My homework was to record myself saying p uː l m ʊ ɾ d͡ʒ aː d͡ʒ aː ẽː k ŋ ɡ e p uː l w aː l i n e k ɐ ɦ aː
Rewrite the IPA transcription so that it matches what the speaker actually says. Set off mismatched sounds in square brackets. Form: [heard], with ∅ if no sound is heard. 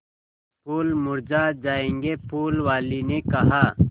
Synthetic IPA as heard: p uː l m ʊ ɾ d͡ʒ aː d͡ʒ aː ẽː [∅] ŋ ɡ e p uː l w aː l i n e k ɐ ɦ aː